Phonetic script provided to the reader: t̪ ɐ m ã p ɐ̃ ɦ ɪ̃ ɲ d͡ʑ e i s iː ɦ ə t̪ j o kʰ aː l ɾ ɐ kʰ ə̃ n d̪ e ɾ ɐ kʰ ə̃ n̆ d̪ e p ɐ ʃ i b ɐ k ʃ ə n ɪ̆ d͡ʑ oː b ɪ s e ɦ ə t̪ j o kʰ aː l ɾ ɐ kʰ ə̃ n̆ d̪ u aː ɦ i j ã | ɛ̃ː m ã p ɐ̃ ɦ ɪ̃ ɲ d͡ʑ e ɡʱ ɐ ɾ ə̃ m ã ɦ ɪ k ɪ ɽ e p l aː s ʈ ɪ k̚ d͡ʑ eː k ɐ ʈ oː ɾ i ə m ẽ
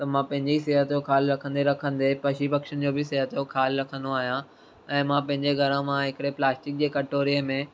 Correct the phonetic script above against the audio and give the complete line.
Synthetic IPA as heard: t̪ ɐ m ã p ɐ̃ ɦ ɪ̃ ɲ d͡ʑ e i s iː ɦ ə t̪ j o kʰ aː l ɾ ɐ kʰ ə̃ n d̪ e ɾ ɐ kʰ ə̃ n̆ d̪ e p ɐ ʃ i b ɐ k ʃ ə n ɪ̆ d͡ʑ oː b ɪ s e ɦ ə t̪ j o kʰ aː l ɾ ɐ kʰ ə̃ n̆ d̪ o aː ɦ i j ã | ɛ̃ː m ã p ɐ̃ ɦ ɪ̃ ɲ d͡ʑ e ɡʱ ɐ ɾ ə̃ m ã ɦ ɪ k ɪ ɽ e p l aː s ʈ ɪ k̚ d͡ʑ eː k ɐ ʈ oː ɾ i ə m ẽ